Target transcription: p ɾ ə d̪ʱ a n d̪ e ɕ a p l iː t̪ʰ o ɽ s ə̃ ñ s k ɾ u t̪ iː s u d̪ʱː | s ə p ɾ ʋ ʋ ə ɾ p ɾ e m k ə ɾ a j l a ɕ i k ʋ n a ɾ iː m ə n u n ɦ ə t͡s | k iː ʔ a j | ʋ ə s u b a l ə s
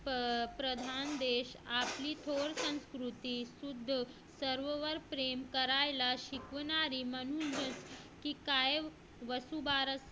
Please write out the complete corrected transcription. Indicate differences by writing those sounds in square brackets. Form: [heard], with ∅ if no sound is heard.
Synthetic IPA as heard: p ɾ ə d̪ʱ a n d̪ e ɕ a p l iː t̪ʰ o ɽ s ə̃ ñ s k ɾ u t̪ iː s u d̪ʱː | s ə [∅] ɾ ʋ ʋ ə ɾ p ɾ e m k ə ɾ a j l a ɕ i k ʋ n a ɾ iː m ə n u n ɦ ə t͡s | k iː [k] a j | ʋ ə s u b a [ɾ] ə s

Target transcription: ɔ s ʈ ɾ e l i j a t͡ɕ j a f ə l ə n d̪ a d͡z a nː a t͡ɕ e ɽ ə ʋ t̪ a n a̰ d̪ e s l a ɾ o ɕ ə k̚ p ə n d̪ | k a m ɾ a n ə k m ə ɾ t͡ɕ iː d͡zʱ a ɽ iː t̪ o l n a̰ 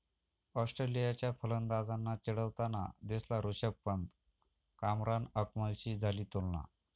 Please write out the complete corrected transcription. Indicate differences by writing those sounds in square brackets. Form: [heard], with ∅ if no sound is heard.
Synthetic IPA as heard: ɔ s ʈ ɾ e l i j a t͡ɕ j a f ə l ə n d̪ a d͡z a nː a t͡ɕ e ɽ ə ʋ t̪ a n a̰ d̪ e s l a ɾ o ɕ ə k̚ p ə n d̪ | k a m ɾ a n ə k m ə [l] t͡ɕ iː d͡zʱ a [l] iː t̪ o l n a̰

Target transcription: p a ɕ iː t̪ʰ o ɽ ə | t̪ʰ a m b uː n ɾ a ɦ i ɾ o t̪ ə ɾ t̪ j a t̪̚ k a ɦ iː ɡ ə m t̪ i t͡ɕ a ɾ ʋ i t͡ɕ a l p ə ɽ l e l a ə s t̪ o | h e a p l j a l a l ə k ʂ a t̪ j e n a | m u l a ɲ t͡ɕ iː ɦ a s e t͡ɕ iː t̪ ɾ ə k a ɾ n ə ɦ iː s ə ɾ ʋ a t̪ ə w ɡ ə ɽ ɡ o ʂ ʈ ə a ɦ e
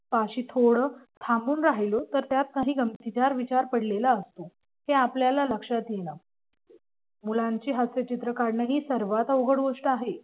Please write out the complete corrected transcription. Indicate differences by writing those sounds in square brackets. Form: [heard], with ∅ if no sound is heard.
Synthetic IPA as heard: p a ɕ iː t̪ʰ o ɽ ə | t̪ʰ a m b uː n ɾ a ɦ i [l] o t̪ ə ɾ t̪ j a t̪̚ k a ɦ iː ɡ ə m t̪ i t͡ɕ a ɾ ʋ i t͡ɕ a [ɾ] p ə ɽ l e l a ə s t̪ o | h e a p l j a l a l ə k ʂ a t̪ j e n a | m u l a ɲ t͡ɕ iː ɦ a s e t͡ɕ [i] t̪ ɾ ə k a ɾ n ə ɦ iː s ə ɾ ʋ a t̪ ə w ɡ ə ɽ ɡ o ʂ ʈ ə a ɦ e

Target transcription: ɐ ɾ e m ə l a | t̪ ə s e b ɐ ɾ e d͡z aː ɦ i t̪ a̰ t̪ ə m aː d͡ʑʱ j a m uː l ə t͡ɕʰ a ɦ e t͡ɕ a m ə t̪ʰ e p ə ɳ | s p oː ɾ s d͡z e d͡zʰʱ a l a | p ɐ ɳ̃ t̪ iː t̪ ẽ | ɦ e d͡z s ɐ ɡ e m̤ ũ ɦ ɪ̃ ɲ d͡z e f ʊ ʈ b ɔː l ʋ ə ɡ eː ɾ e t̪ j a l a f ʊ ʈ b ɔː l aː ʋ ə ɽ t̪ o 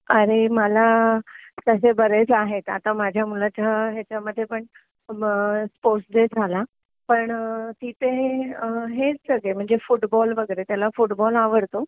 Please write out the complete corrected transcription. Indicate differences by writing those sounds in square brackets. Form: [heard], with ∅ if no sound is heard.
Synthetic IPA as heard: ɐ ɾ e m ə l a | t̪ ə s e b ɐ ɾ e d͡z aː ɦ [e] t̪ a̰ t̪ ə m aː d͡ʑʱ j a m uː l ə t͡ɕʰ a ɦ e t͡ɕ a m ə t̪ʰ e p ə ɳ | s p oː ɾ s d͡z e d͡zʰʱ a l a | p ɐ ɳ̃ t̪ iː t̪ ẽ | ɦ e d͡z s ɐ ɡ e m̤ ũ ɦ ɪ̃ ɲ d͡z e f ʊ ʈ b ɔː l ʋ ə ɡ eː ɾ e t̪ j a l a f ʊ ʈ b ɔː l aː ʋ ə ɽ t̪ o

